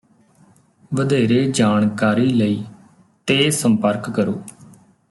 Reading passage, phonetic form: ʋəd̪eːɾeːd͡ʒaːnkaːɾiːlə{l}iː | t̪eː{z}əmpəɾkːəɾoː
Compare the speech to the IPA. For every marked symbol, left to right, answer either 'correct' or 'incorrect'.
incorrect: none, incorrect: s

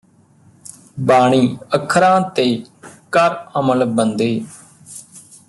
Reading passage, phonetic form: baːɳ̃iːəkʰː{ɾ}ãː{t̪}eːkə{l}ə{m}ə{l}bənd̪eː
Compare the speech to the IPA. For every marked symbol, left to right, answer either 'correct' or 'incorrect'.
correct, correct, incorrect: ɾ, correct, correct

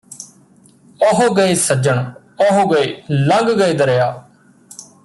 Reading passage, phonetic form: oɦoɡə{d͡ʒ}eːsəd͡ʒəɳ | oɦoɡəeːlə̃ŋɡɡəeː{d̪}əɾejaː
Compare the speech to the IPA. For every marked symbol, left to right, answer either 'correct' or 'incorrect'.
incorrect: none, correct

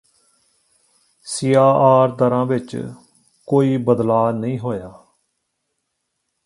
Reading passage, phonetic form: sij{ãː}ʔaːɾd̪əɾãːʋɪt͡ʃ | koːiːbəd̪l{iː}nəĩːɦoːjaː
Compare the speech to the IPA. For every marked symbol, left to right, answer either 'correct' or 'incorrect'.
incorrect: aː, incorrect: aː

